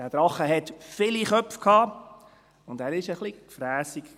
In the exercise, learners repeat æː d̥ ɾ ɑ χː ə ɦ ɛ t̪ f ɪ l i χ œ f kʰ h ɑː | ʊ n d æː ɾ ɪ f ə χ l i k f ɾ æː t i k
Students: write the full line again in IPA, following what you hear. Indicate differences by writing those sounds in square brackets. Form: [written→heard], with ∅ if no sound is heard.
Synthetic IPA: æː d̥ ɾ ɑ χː ə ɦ ɛ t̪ f ɪ l i χ œ f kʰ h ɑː | ʊ n d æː ɾ ɪ [f→ʃ] ə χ l i k f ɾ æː [t→s] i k

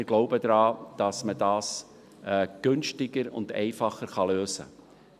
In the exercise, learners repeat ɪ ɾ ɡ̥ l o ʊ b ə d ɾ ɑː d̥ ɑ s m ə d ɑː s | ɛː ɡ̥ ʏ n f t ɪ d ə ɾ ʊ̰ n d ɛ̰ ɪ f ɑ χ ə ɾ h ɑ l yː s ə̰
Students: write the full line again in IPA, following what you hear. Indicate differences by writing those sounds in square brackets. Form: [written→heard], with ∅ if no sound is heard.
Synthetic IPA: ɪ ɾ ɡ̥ l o ʊ b ə d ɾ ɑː d̥ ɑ s m ə d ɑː s | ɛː ɡ̥ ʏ n [f→ʃ] t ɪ [d→ɡ] ə ɾ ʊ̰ n d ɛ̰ ɪ f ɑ χ ə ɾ [h→χ] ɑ l [yː→øː] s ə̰

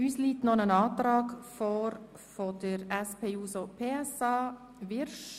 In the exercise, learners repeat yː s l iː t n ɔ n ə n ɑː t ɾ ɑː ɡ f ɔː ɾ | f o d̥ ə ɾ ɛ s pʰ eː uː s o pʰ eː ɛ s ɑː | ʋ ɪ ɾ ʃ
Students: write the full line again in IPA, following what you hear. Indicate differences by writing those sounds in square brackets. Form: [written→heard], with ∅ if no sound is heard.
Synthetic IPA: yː s l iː t n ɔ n ə n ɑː t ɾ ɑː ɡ f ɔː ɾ | f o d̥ ə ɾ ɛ s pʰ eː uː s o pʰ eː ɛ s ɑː | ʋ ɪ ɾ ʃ

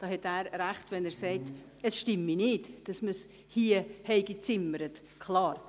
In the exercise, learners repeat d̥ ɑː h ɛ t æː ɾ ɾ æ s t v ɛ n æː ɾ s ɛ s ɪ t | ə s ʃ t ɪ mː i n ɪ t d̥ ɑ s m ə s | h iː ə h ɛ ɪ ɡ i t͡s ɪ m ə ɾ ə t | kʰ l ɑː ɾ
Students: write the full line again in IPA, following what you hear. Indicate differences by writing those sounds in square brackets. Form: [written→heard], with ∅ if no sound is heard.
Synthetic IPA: d̥ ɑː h ɛ t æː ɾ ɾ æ [s→χ] t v ɛ n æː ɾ s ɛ [s→∅] ɪ t | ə s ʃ t ɪ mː i n ɪ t d̥ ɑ s m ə s | h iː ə h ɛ ɪ ɡ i t͡s ɪ m ə ɾ ə t | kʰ l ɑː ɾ

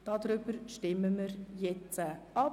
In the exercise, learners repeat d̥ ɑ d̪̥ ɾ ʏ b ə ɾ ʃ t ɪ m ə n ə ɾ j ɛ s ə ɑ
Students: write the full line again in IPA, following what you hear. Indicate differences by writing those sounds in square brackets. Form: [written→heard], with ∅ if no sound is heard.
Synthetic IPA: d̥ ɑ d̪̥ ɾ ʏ b ə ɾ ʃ t ɪ m ə [n→m] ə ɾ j ɛ [s→t͡s] ə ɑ

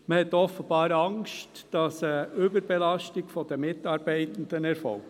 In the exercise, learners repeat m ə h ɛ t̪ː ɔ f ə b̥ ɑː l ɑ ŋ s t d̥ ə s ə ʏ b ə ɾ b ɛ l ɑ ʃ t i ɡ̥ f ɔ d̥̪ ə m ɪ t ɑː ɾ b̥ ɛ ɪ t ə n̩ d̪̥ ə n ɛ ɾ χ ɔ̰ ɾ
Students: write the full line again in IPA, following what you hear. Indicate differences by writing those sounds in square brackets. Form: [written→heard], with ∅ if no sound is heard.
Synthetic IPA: m ə h ɛ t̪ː ɔ f ə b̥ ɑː [l→ɾ] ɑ ŋ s t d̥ [ə→ɑ] s ə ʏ b ə ɾ b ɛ l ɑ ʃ t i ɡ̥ f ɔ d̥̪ ə m ɪ t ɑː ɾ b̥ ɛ ɪ t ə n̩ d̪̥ ə n ɛ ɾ [χ→f] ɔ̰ [ɾ→l]

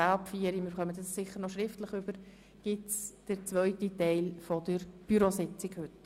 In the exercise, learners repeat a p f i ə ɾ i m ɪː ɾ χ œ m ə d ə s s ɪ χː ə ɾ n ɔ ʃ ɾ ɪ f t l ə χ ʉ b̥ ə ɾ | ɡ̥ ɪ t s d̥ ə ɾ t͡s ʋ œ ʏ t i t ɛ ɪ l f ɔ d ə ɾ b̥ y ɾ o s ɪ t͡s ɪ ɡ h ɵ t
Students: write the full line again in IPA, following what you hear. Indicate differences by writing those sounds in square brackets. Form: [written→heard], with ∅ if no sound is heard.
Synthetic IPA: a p f i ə ɾ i m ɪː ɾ χ œ m ə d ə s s ɪ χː ə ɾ n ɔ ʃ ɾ ɪ f t l ə χ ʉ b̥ ə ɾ | ɡ̥ ɪ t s d̥ ə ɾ t͡s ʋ œ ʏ t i t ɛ ɪ l f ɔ d ə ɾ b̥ y ɾ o s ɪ t͡s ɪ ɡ h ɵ t

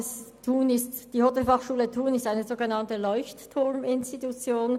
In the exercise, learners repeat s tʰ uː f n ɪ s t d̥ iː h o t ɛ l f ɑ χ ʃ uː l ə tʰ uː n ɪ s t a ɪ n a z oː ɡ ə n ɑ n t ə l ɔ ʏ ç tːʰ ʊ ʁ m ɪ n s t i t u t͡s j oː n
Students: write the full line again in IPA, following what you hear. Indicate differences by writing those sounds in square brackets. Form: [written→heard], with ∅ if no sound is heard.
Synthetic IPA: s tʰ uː [f→∅] n ɪ s t d̥ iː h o t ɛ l f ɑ χ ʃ uː l ə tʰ uː n ɪ s t a ɪ n [a→ə] z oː ɡ ə n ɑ n t ə l ɔ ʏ ç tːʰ ʊ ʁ m ɪ n s t i t u t͡s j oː n

